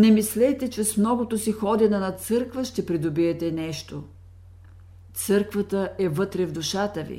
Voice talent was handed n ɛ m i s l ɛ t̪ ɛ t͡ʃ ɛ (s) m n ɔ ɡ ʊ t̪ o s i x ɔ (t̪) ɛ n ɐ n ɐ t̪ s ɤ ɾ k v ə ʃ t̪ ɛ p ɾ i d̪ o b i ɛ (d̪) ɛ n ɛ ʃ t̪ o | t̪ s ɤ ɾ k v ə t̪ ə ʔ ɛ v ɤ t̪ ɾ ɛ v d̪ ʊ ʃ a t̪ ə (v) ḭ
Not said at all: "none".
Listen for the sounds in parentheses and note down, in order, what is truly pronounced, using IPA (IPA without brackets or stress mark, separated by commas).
s, d̪, t̪, v